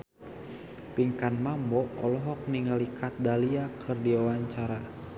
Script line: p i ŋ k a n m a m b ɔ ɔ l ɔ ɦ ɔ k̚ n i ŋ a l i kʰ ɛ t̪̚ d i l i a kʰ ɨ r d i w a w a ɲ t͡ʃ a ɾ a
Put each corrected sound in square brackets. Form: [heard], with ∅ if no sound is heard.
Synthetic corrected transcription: p i ŋ k a n m a m b ɔ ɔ l ɔ ɦ ɔ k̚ n i ŋ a l i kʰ [a] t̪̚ d [a] l i a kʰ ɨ r d i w a w a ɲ t͡ʃ a ɾ a

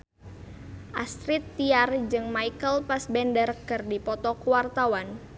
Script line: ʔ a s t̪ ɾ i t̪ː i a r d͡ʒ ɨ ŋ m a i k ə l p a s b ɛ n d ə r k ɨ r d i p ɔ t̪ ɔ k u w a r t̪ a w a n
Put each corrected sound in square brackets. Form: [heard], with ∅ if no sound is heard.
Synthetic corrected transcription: ʔ a s t̪ ɾ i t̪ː i a r d͡ʒ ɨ ŋ m a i k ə l p a s b ɛ n d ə r k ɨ r d i p ɔ t̪ ɔ k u w a r t̪ a w a n

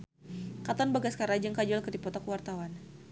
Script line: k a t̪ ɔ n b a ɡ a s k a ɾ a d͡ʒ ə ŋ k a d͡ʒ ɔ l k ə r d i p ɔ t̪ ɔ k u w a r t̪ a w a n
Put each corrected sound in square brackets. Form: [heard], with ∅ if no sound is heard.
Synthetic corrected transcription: k a t̪ ɔ n b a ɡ a s k a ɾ a d͡ʒ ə ŋ k a d͡ʒ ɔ l k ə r d i p ɔ t̪ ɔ k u w a r t̪ a w a n

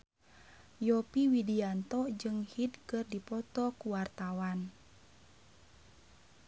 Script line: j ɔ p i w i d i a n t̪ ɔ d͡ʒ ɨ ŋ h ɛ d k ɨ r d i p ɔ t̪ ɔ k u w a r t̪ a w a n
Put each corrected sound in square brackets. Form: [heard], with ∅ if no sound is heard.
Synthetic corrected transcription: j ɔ p i w i d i a n t̪ ɔ d͡ʒ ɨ ŋ h [i] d k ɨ r d i p ɔ t̪ ɔ k u w a r t̪ a w a n

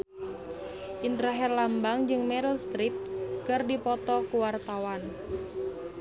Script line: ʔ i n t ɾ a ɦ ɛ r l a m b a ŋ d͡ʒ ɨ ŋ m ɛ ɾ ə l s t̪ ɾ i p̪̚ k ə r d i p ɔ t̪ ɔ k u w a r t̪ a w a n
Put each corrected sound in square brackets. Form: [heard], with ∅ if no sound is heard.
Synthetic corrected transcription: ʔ i n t ɾ a ɦ ɛ r l a m b a ŋ d͡ʒ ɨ ŋ m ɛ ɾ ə l s t̪ ɾ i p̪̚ k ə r d i p ɔ t̪ ɔ k u w a r t̪ a w a n

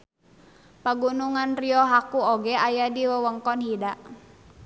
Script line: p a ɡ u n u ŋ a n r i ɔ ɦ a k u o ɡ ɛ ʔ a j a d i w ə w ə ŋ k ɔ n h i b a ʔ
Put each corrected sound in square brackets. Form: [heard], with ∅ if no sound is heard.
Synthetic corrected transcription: p a ɡ u n u ŋ a n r i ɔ ɦ a k u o ɡ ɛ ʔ a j a d i w ə w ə ŋ k ɔ n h i [d] a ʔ

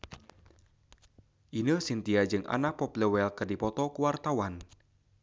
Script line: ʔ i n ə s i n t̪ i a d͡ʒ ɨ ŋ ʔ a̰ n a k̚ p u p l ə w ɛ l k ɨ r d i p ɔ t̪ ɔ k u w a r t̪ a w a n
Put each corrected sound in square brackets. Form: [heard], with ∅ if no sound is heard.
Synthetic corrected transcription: ʔ i n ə s i n t̪ i a d͡ʒ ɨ ŋ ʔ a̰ n a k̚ p [ɔ] p l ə w ɛ l k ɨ r d i p ɔ t̪ ɔ k u w a r t̪ a w a n

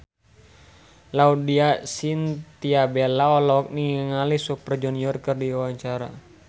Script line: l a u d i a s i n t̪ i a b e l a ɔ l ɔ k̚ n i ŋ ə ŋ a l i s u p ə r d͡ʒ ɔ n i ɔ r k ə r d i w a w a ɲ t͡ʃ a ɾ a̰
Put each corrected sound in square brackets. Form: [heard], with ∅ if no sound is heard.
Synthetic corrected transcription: l a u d i a s i n t̪ i a b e l a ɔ l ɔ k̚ n i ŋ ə ŋ a l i s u p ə r d͡ʒ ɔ n i ɔ r k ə r d i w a w a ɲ t͡ʃ a ɾ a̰

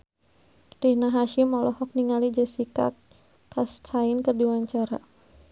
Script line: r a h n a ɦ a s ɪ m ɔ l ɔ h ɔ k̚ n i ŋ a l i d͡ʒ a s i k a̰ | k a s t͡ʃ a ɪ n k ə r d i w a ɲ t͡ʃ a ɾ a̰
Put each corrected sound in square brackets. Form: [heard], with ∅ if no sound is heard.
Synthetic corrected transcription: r [i] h n a ɦ a [ʃ] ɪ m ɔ l ɔ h ɔ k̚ n i ŋ a l i d͡ʒ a s i k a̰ | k a s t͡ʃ a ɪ n k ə r d i w a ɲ t͡ʃ a ɾ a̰

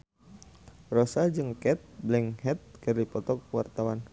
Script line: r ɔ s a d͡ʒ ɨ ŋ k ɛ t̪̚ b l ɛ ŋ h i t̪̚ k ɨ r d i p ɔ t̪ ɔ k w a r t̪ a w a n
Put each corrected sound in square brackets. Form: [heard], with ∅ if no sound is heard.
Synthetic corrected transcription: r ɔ s a d͡ʒ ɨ ŋ k ɛ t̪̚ b l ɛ ŋ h [ɛ] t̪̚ k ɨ r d i p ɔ t̪ ɔ k w a r t̪ a w a n

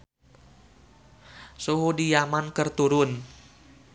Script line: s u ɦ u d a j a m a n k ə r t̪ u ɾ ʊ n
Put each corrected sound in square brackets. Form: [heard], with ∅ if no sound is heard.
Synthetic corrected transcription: s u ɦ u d [i] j a m a n k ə r t̪ u ɾ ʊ n

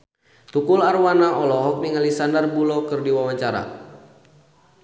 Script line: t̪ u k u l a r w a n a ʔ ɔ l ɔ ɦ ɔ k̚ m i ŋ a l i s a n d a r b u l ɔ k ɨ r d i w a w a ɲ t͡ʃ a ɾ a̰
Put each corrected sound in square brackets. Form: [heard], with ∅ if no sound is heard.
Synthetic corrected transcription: t̪ u k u l a r w a n a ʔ ɔ l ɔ ɦ ɔ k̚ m i ŋ a l i s a n d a r b u l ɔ k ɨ r d i w a w a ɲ t͡ʃ a ɾ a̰

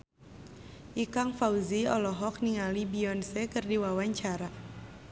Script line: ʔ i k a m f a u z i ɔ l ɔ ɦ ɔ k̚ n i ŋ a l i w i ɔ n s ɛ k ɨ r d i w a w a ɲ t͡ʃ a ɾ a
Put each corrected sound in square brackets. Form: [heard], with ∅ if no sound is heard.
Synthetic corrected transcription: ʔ i k a [ŋ] f a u z i ɔ l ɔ ɦ ɔ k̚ n i ŋ a l i [b] i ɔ n s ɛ k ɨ r d i w a w a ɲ t͡ʃ a ɾ a

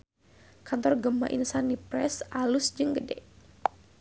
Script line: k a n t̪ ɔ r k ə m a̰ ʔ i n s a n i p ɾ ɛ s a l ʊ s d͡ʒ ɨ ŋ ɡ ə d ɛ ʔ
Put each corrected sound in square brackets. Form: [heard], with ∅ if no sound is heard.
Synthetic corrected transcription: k a n t̪ ɔ r [ɡ] ə m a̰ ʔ i n s a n i p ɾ ɛ s a l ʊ s d͡ʒ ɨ ŋ ɡ ə d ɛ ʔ

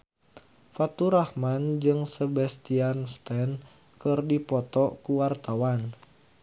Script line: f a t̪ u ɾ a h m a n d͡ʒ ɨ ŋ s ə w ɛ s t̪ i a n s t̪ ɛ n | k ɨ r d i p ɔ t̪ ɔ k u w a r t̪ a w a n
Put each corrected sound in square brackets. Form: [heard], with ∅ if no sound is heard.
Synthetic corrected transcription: f a t̪ u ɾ a h m a n d͡ʒ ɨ ŋ s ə [b] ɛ s t̪ i a n s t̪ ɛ n | k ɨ r d i p ɔ t̪ ɔ k u w a r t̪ a w a n

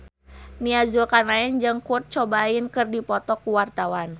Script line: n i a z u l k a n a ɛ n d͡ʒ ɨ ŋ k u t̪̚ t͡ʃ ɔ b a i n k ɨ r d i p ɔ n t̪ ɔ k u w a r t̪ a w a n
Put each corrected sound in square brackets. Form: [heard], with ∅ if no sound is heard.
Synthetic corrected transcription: n i a z u l k a n a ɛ n d͡ʒ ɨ ŋ k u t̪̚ t͡ʃ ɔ b a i n k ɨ r d i p ɔ [∅] t̪ ɔ k u w a r t̪ a w a n

